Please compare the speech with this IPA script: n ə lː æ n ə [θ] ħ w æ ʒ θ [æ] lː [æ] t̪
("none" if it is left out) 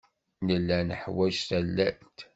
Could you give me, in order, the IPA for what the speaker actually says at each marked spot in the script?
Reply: none, æ, æ

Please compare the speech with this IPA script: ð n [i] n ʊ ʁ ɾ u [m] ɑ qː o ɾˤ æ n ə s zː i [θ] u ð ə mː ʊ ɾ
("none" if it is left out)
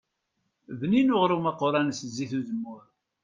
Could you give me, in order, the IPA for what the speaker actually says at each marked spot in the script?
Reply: i, m, θ

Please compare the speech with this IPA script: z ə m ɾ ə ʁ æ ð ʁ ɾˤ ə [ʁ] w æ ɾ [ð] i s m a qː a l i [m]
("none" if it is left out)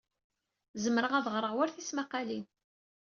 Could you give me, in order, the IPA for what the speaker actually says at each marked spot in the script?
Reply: ʁ, θ, n

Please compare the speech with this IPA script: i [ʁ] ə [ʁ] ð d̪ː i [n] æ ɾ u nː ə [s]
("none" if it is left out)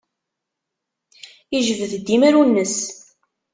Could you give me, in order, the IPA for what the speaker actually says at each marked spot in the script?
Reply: ʒ, v, m, s

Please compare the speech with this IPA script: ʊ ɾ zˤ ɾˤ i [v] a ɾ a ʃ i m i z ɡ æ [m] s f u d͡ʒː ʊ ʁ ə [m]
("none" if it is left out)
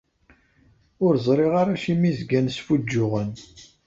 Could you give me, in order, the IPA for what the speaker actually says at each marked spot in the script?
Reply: ʁ, n, n

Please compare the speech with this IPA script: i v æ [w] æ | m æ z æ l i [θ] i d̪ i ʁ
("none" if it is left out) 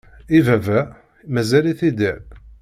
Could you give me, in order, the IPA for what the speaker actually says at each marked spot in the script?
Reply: v, θ

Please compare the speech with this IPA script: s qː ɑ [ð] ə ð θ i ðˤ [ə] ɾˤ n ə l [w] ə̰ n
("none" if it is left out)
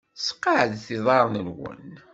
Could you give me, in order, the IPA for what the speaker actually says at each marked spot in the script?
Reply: ʕ, ɑ, w

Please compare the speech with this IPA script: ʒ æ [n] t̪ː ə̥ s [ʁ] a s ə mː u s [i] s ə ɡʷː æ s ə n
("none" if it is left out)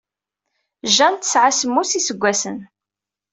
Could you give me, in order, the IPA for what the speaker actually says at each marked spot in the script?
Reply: n, ʕ, i

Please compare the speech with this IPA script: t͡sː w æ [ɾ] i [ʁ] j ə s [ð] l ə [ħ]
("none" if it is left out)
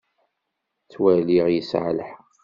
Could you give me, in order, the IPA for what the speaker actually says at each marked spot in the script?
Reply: l, ʁ, ʕ, ħ

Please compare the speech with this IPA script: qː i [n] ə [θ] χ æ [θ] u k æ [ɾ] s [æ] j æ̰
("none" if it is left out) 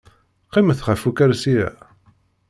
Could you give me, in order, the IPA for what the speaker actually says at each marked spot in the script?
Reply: m, θ, f, ɾ, i

